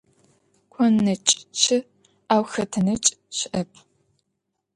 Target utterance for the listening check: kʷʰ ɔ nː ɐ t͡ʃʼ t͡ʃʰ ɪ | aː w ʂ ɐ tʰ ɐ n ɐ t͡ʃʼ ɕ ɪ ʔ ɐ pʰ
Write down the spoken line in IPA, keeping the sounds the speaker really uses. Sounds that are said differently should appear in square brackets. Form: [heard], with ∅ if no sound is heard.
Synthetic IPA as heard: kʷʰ ɔ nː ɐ t͡ʃʼ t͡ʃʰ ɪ | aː w [x] ɐ tʰ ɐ n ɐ t͡ʃʼ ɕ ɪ ʔ ɐ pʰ